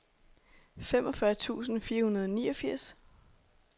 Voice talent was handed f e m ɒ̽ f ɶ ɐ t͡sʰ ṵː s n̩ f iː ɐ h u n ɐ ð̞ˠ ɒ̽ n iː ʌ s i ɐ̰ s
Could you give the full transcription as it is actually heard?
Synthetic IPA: f e m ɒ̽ f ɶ ɐ t͡sʰ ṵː s n̩ f iː ɐ h u n ɐ ð̞ˠ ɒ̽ n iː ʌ f i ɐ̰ s